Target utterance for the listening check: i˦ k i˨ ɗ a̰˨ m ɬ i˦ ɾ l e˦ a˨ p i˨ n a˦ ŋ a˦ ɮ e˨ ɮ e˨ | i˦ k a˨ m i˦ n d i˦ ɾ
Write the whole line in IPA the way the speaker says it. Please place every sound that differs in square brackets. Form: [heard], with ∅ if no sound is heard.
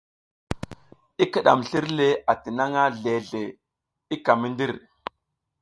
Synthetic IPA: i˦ k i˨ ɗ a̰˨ m ɬ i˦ ɾ l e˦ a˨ [t] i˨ n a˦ ŋ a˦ ɮ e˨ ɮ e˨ | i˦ k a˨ m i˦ n d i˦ ɾ